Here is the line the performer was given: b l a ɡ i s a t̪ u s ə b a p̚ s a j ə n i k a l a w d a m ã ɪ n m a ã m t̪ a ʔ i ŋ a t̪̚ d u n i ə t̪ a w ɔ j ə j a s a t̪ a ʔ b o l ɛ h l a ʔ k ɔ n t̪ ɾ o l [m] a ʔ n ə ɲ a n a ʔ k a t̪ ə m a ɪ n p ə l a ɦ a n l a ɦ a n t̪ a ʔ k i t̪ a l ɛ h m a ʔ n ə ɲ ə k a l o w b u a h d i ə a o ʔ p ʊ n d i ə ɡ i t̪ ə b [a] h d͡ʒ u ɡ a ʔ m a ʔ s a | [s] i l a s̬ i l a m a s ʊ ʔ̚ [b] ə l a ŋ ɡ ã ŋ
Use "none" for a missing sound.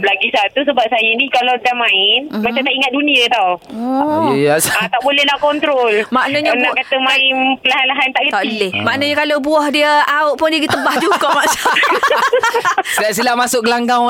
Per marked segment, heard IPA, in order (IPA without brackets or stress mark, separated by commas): m, a, s, ɡ